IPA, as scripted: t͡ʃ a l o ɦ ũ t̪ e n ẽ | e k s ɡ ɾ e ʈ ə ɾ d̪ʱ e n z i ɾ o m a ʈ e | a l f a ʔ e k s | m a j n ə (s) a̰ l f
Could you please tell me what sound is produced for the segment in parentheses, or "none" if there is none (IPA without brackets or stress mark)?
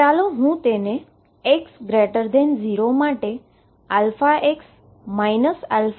s